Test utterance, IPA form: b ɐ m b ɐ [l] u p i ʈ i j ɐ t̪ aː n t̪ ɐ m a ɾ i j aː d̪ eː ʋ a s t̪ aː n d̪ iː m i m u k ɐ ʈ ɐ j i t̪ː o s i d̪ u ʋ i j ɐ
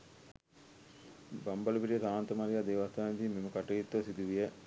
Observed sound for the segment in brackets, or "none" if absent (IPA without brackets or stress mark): l